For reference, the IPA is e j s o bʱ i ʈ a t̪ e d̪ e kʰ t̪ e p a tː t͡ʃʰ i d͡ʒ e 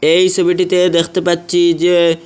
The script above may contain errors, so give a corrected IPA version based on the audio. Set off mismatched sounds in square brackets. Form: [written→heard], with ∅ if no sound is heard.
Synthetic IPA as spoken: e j s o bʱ i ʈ [a→i] t̪ e d̪ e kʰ t̪ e p a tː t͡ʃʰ i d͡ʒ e